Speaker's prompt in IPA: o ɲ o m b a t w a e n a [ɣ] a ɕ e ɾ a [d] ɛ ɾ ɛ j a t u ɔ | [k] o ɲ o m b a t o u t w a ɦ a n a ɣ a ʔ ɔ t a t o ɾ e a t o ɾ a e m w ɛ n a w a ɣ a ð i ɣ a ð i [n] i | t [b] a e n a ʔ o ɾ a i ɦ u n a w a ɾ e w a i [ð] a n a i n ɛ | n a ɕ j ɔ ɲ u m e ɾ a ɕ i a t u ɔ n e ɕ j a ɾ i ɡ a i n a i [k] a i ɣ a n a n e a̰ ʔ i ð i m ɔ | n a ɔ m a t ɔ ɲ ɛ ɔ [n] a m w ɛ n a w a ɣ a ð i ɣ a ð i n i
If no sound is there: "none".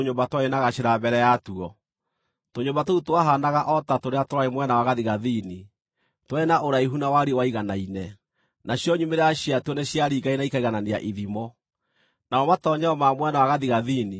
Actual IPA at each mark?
ɣ, b, t, n, w, ɣ, k, m

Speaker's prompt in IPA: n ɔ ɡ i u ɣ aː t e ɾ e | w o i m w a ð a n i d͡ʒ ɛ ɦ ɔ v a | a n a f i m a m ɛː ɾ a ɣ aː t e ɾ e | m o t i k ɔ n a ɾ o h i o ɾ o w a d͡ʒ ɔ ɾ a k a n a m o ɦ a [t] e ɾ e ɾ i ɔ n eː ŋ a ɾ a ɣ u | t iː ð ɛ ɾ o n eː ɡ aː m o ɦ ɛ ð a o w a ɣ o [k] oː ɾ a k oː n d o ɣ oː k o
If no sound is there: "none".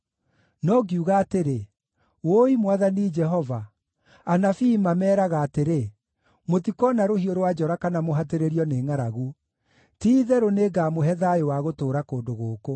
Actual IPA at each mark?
t, t

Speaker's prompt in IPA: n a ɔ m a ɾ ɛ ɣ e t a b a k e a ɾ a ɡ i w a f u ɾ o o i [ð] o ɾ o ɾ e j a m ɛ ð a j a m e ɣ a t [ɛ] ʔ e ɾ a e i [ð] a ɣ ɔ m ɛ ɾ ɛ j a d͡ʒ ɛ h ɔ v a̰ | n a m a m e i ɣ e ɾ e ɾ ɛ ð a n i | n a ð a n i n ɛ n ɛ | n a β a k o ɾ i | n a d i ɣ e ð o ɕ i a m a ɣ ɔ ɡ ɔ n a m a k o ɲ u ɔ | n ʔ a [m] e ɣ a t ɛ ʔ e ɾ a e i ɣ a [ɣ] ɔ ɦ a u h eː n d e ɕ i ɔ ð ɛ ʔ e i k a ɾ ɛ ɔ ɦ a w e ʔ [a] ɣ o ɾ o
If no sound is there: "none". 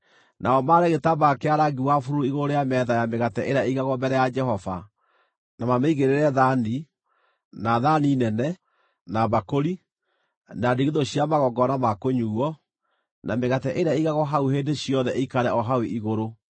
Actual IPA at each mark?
ɣ, ɛ, ɣ, m, ɣ, i

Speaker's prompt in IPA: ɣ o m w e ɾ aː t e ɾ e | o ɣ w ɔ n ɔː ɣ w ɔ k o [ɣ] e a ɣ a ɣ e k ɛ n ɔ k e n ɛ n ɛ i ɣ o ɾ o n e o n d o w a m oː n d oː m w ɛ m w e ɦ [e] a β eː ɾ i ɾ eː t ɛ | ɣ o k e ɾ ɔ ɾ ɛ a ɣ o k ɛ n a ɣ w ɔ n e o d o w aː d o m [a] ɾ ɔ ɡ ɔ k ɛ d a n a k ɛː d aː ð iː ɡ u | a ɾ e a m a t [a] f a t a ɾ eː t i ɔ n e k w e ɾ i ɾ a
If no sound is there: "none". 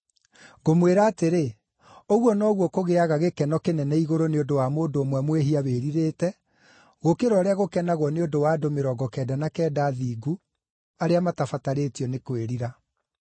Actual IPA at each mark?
ɣ, i, e, a

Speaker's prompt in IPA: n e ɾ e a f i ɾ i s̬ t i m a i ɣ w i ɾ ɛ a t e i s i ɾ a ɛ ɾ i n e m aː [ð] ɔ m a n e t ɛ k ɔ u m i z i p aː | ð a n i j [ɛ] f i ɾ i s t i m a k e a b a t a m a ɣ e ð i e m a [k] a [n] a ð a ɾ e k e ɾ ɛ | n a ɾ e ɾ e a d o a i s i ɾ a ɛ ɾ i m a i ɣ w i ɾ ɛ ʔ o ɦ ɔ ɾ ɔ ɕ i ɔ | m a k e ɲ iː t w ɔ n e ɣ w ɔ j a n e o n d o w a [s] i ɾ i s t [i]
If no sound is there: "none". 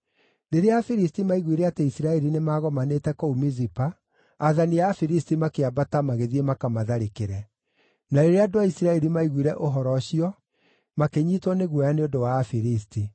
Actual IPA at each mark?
ɣ, a, k, m, f, i

